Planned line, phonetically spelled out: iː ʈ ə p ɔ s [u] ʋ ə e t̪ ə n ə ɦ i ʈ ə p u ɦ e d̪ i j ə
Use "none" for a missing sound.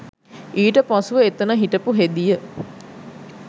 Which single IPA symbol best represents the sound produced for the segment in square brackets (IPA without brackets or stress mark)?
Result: u